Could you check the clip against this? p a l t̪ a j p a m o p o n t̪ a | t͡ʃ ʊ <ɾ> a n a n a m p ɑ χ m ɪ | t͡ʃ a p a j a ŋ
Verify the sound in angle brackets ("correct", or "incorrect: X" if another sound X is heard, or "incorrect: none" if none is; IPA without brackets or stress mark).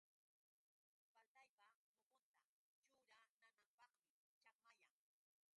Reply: correct